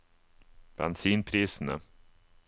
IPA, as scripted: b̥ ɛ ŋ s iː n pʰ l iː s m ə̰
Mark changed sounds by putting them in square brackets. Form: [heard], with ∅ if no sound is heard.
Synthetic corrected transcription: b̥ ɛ [n] s iː n pʰ [ɾ] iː s [n] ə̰